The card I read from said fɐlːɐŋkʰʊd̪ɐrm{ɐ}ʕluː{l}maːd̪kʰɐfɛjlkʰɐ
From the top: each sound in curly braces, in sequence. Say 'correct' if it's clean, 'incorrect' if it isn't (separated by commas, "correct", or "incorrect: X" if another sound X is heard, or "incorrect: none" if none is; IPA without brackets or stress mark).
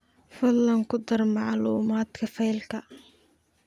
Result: incorrect: ɑ, incorrect: none